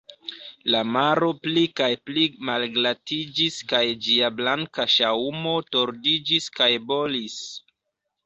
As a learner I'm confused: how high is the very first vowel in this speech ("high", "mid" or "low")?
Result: low